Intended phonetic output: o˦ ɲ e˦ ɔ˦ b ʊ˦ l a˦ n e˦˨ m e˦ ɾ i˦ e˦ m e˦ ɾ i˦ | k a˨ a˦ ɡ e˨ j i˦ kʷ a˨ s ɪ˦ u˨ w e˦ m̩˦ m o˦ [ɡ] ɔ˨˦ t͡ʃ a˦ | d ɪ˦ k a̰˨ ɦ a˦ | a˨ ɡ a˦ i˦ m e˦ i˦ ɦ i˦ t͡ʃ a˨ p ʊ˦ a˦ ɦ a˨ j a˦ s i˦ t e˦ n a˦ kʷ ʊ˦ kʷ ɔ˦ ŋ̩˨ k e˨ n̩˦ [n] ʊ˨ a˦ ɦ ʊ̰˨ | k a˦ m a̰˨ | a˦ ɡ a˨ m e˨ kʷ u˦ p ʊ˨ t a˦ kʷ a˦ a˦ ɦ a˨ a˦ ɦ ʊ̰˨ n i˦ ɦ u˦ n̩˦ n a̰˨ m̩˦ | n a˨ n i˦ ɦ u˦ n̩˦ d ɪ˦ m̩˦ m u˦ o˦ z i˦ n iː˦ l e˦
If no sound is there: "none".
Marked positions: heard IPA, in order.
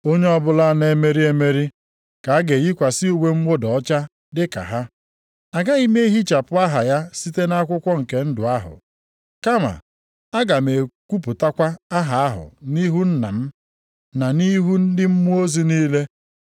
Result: d, d

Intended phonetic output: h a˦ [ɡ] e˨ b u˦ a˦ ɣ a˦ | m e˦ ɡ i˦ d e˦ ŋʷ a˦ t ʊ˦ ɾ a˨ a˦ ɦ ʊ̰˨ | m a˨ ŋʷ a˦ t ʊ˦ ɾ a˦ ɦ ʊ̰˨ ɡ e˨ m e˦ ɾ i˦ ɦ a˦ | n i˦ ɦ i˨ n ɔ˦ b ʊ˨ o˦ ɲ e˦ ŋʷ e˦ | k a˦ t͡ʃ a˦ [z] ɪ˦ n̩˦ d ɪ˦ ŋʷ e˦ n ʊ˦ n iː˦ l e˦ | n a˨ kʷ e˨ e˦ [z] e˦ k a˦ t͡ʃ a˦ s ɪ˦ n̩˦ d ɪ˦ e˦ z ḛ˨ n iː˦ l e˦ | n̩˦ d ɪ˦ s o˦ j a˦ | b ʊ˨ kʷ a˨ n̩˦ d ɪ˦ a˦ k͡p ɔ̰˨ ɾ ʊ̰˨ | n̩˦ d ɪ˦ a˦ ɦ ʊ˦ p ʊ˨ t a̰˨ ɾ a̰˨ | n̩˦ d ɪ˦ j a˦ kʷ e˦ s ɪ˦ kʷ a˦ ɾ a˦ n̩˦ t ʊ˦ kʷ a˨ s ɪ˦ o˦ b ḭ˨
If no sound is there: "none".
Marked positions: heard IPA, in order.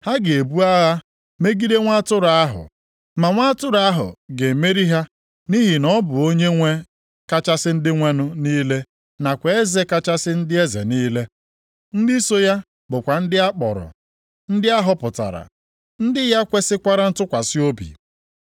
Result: ɡ, s, z

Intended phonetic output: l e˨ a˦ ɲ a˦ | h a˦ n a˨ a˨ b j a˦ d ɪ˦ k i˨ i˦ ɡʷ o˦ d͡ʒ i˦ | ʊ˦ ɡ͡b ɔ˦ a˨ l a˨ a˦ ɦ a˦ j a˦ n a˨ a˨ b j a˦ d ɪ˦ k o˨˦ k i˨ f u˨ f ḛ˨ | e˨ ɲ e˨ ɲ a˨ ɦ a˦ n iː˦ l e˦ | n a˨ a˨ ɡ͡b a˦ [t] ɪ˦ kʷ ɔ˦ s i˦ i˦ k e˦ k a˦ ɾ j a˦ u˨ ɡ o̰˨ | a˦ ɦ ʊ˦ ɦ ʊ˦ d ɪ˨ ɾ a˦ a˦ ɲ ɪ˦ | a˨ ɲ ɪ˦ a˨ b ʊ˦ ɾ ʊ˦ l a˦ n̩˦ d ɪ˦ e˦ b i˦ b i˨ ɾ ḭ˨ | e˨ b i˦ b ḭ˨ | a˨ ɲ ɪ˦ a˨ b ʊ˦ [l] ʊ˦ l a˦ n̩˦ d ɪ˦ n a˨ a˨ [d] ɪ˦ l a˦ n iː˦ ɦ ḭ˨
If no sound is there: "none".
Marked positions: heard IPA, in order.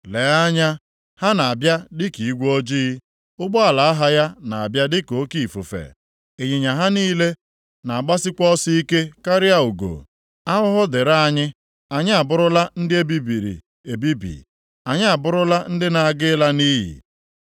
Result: s, ɾ, ɡ

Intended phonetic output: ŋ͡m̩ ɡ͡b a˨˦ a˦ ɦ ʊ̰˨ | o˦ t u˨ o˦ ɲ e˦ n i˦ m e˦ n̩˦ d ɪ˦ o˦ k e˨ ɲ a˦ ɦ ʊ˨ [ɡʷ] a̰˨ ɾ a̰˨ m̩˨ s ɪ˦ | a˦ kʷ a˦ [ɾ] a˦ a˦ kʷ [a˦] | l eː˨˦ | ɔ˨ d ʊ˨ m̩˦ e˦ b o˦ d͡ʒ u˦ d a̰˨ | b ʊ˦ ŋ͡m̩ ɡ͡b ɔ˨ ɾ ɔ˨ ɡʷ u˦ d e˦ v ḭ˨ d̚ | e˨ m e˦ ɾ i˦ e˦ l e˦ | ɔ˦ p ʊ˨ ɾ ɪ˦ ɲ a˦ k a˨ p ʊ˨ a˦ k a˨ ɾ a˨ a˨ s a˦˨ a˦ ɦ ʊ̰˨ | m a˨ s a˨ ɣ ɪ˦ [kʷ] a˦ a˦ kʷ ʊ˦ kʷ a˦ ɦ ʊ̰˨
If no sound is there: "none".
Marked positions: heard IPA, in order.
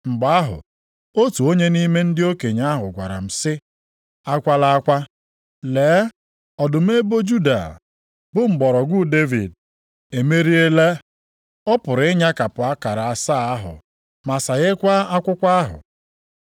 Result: ɡʷ, l, a˦, kʷ

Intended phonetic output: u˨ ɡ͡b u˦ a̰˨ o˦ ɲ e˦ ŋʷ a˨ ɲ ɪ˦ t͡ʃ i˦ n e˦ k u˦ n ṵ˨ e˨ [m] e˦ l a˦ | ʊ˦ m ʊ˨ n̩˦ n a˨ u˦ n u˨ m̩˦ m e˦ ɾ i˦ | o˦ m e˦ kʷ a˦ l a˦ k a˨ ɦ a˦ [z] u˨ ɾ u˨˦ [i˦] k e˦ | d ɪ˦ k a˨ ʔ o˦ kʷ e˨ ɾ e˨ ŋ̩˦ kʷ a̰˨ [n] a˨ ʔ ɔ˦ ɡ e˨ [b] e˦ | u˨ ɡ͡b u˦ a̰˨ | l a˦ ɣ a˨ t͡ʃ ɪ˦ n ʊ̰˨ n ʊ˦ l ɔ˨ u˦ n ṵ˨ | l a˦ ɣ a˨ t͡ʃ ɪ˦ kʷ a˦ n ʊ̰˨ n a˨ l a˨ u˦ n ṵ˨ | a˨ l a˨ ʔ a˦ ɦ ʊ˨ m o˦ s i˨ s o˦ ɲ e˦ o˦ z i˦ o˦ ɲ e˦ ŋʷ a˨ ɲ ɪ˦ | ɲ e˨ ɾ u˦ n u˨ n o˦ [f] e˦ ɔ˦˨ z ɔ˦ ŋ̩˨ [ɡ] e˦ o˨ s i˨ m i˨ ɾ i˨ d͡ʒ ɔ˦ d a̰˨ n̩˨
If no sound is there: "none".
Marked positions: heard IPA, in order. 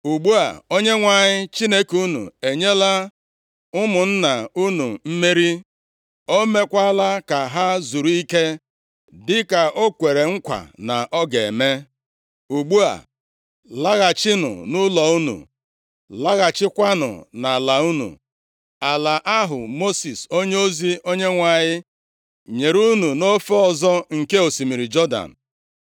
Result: ɲ, z, i˦, n, m, f, k

